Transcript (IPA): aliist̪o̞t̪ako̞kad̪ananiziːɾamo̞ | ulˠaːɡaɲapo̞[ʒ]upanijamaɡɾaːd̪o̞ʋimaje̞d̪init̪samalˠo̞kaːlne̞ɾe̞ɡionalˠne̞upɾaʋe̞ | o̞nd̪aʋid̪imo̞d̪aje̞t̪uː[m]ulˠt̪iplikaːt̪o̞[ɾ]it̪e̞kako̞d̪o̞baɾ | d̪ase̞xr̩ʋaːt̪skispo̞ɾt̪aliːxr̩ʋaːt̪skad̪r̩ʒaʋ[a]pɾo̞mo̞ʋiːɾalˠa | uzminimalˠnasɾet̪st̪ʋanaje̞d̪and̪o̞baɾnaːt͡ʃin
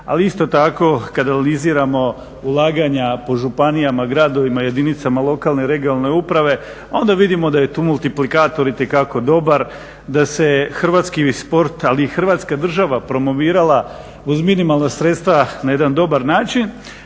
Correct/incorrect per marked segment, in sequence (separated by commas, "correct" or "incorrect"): correct, correct, correct, correct